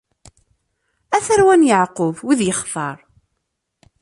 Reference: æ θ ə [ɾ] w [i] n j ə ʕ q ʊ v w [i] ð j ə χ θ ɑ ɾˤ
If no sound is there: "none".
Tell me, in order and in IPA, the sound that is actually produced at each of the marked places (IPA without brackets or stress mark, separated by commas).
ɾ, æ, i